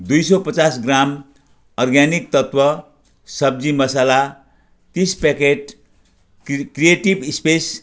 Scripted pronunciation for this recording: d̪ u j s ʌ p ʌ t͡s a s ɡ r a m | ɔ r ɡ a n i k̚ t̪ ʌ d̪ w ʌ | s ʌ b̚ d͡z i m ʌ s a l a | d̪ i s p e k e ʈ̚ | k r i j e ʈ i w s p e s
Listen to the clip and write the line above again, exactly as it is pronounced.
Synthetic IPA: d̪ u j s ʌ p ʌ t͡s a s ɡ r a m | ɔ r ɡ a n i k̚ t̪ ʌ t̪ w ʌ | s ʌ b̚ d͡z i m ʌ s a l a | t̪ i s p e k e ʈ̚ | k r i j e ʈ i b s p e s